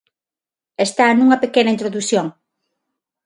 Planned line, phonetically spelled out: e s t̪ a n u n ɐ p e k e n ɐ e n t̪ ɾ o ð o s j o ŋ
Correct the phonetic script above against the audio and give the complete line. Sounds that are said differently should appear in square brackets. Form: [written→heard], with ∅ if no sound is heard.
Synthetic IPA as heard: e s t̪ a n u [n→ŋ] ɐ p e k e n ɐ [e→i] n t̪ ɾ o ð [o→u] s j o ŋ